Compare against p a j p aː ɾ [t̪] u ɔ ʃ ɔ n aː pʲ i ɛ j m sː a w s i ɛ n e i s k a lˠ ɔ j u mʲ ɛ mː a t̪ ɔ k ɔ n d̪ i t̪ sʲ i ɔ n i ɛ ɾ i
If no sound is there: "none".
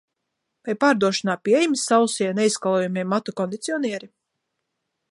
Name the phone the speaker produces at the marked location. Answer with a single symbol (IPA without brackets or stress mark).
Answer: d̪